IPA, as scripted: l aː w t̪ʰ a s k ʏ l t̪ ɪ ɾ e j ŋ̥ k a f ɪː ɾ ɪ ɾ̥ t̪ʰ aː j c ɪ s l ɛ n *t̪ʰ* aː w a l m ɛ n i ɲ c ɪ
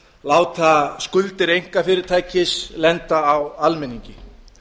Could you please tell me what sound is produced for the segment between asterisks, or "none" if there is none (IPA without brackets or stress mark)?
t̪